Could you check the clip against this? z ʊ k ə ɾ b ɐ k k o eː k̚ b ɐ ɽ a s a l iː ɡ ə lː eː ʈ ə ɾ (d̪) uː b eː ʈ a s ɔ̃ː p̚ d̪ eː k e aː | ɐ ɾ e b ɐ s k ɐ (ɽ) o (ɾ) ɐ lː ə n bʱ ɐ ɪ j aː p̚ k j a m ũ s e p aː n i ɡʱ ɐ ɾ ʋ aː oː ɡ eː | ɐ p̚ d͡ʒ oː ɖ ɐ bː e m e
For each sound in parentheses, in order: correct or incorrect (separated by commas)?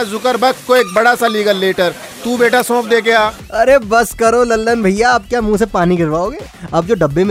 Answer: incorrect, incorrect, incorrect